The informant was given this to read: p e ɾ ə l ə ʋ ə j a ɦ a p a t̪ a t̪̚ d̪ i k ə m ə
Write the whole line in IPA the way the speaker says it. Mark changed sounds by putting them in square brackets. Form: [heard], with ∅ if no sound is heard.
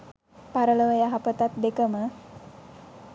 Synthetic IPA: p [a] ɾ ə l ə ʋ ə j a ɦ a p [ə] t̪ a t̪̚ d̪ [e] k ə m ə